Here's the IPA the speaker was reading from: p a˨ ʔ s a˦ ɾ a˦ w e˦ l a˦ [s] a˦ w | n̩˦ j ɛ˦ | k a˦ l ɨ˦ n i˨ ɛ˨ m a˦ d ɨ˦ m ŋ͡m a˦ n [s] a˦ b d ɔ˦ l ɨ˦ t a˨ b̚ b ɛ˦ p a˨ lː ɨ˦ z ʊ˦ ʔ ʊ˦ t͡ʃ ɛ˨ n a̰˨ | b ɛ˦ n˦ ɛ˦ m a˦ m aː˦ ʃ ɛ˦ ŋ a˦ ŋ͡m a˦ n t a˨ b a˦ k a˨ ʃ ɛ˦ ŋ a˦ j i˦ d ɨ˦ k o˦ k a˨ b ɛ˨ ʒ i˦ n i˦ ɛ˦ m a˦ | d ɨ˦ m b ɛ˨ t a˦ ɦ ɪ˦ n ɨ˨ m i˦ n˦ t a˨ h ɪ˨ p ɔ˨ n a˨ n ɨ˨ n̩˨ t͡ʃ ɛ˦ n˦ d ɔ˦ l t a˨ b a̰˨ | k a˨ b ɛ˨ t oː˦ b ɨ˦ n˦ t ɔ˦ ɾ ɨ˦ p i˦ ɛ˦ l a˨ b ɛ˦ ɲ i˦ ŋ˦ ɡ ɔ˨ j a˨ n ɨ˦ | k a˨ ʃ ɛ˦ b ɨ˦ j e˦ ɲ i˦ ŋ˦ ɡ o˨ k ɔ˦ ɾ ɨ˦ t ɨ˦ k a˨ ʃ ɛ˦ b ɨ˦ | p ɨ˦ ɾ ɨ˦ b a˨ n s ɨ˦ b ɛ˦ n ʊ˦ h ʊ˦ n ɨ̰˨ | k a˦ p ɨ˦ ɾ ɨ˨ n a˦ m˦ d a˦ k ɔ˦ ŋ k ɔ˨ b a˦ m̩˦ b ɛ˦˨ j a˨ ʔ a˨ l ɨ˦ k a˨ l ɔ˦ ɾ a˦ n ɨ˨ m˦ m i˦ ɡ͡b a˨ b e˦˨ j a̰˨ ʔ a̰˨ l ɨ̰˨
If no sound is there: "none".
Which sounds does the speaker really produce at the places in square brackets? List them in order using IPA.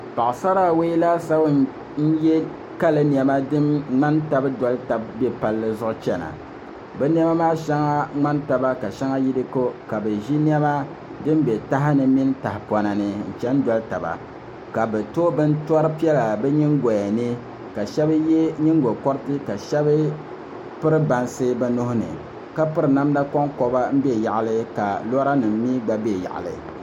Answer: s, t

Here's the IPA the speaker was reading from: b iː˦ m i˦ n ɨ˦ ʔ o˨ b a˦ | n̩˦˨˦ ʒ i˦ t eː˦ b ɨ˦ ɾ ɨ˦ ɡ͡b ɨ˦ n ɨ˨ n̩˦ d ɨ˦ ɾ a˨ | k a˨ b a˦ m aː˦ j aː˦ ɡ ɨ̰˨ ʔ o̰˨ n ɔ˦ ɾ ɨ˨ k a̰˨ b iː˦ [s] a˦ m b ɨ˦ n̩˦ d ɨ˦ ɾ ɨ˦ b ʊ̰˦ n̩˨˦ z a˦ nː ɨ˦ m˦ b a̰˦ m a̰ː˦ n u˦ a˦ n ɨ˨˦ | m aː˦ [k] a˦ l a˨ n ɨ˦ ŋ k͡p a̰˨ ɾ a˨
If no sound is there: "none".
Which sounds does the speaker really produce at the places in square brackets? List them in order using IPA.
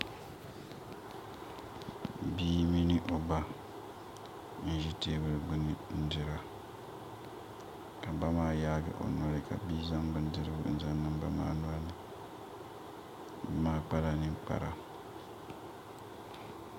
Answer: z, k͡p

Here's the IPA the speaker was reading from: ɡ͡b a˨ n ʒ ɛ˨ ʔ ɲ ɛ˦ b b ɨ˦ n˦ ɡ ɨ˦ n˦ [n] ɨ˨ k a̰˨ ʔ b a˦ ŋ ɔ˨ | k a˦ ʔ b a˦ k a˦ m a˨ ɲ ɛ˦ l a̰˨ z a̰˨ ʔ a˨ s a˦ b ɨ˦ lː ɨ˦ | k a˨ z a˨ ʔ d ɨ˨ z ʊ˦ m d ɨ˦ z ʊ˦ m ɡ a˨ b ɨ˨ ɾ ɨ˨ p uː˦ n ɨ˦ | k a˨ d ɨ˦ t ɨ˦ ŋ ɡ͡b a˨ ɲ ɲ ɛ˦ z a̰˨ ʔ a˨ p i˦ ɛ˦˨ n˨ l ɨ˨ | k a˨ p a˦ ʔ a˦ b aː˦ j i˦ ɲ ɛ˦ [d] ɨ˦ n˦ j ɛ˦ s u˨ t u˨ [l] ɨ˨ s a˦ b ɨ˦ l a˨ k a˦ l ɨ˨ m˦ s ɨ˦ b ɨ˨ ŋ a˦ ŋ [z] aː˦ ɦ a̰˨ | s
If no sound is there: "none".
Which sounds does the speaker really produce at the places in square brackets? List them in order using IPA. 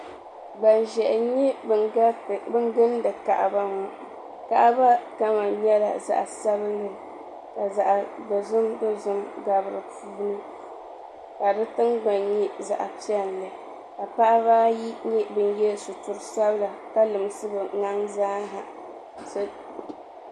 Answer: d, b, ɾ, z

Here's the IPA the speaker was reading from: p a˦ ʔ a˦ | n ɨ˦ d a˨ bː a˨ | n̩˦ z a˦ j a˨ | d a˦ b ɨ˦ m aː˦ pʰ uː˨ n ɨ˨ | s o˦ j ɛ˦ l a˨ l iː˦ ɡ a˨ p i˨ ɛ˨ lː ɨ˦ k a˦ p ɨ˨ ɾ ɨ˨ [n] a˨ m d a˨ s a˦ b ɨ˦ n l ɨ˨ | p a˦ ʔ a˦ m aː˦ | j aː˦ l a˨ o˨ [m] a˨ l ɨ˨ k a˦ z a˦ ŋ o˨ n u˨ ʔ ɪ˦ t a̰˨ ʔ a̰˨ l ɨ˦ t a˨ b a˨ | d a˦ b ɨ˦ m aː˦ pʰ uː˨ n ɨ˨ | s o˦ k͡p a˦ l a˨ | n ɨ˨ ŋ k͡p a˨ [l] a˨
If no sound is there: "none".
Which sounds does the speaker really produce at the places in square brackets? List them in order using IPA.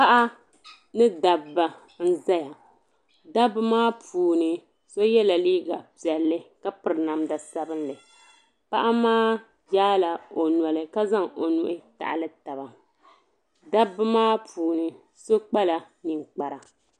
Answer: n, n, ɾ

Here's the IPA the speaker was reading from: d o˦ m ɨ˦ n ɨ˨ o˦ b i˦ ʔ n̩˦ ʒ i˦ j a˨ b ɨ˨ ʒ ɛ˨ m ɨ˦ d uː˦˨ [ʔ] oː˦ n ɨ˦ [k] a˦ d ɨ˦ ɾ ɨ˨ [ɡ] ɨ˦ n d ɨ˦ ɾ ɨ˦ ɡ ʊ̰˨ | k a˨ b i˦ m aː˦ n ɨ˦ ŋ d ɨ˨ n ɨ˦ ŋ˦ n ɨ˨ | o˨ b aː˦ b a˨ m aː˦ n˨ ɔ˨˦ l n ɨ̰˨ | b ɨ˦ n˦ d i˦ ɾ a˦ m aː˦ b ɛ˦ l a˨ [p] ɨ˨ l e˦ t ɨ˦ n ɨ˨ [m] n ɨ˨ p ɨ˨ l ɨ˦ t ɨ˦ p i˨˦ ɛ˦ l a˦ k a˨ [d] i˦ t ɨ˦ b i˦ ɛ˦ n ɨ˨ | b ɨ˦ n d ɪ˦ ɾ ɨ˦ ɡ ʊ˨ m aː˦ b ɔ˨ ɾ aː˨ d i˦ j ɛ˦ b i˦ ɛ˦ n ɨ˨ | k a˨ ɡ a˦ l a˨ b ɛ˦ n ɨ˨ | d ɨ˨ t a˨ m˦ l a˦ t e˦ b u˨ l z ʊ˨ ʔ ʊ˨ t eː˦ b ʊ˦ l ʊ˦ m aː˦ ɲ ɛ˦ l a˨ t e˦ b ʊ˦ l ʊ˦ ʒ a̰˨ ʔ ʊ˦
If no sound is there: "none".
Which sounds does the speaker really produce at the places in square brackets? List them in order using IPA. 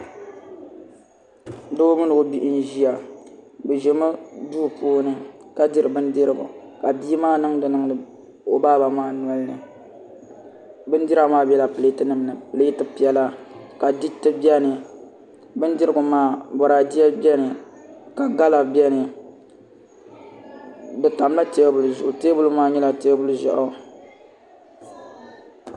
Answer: p, k, b, p, m, d

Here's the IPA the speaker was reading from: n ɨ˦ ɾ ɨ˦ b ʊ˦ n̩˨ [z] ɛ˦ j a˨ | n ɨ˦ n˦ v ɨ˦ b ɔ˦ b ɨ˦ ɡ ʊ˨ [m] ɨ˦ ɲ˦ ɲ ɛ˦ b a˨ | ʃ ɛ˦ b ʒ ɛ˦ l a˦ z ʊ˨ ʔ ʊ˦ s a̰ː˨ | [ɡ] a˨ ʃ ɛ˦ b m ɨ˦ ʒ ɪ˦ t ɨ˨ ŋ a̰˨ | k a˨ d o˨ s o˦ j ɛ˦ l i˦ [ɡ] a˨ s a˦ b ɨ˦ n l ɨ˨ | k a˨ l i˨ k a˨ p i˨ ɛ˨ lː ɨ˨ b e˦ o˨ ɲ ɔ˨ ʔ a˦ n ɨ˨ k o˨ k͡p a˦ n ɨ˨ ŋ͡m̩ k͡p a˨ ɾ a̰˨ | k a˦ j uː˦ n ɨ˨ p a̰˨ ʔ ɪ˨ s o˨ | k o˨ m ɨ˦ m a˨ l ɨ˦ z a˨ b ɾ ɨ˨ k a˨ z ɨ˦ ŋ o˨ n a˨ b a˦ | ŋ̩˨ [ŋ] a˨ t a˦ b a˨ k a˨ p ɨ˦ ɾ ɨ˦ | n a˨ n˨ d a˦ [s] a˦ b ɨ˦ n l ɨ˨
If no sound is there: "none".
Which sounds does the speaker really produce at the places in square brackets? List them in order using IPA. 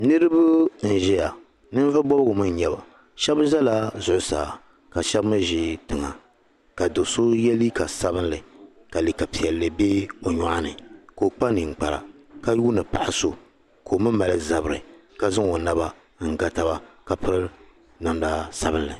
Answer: ʒ, m, k, k, ɡ, s

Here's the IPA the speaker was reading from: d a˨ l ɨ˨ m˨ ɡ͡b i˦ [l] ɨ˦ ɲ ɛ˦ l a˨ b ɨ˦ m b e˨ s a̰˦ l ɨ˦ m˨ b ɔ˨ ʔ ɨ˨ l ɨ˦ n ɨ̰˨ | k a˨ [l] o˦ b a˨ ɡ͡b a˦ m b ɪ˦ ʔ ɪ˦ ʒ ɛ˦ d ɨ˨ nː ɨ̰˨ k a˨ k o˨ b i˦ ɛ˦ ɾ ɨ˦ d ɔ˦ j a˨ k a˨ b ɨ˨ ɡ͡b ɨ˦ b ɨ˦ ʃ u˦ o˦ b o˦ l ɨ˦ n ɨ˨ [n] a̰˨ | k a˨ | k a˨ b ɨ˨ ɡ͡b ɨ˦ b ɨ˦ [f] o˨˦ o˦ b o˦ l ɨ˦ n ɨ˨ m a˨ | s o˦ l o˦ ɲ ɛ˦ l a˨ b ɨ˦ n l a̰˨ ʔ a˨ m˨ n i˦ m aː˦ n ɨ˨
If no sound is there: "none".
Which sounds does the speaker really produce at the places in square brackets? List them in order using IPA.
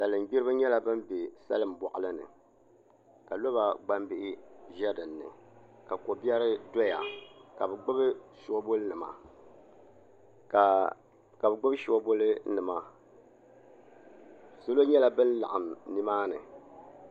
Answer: ɾ, l, m, ʃ

